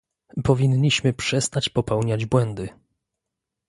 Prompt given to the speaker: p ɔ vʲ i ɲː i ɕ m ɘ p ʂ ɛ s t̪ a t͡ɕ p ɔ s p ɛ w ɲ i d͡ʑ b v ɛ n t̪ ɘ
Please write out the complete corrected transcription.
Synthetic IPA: p ɔ vʲ i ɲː i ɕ m ɘ p ʂ ɛ s t̪ a t͡ɕ p ɔ p ɛ w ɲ a d͡ʑ b w ɛ n d̪ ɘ